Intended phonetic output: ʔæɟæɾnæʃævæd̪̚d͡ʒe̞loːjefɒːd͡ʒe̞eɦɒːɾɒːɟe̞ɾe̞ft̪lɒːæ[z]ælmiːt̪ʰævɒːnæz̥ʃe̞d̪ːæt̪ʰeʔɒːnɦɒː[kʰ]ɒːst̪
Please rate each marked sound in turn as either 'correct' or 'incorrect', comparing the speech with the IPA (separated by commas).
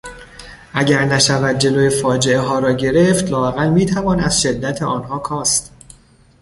incorrect, correct